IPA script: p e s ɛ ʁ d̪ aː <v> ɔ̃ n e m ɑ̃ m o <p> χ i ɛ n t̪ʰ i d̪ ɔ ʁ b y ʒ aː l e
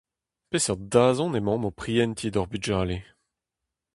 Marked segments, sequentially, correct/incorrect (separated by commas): incorrect, correct